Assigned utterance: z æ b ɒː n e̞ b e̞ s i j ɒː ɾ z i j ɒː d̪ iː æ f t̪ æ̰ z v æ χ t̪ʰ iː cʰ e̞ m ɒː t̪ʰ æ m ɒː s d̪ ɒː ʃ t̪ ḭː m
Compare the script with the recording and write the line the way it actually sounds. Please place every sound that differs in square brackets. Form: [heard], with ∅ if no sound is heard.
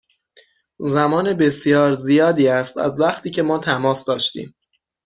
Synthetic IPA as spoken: z æ [m] ɒː n e̞ b e̞ s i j ɒː ɾ z i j ɒː d̪ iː æ [s] t̪ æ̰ z v æ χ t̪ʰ iː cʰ e̞ m ɒː t̪ʰ æ m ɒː s d̪ ɒː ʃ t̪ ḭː m